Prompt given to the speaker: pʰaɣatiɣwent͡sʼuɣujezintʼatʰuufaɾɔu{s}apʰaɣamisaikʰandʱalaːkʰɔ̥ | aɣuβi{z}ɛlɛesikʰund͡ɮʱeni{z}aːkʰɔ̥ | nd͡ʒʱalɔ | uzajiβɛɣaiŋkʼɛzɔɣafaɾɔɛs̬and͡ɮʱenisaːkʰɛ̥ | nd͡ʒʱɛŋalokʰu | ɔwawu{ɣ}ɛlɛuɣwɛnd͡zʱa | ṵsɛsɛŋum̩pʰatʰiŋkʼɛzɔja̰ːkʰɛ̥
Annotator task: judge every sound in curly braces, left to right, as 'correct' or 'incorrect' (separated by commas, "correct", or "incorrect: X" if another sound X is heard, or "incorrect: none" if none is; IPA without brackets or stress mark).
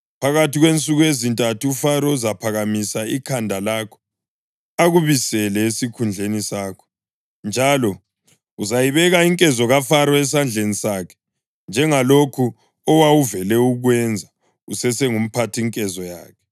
incorrect: z, incorrect: s, incorrect: s, incorrect: v